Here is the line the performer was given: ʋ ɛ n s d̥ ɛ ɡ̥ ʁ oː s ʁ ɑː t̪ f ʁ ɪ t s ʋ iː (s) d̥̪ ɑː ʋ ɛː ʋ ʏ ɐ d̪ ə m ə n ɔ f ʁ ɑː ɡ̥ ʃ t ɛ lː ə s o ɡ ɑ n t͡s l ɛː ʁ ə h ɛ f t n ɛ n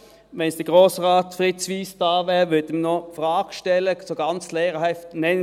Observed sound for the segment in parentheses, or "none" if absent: s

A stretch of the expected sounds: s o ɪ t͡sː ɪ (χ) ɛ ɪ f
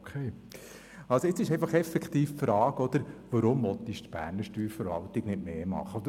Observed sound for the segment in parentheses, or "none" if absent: ʃ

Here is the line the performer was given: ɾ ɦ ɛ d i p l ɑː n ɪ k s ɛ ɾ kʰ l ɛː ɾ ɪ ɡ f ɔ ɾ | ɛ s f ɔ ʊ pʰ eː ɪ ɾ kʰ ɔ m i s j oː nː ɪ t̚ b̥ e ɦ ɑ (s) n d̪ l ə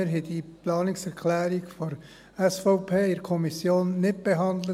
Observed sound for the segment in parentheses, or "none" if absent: none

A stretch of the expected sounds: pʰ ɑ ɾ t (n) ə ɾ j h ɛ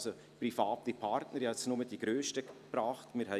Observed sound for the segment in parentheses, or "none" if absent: n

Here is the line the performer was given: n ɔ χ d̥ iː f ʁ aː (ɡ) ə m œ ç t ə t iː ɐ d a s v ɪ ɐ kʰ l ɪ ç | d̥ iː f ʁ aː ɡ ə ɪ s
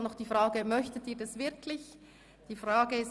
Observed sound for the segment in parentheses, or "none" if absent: ɡ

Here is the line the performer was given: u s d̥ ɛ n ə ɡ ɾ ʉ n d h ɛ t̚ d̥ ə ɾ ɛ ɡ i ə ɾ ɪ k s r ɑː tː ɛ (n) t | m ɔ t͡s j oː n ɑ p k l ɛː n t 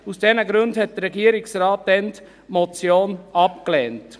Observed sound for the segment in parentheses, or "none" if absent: n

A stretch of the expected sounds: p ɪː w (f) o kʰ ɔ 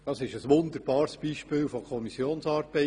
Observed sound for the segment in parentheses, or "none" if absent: f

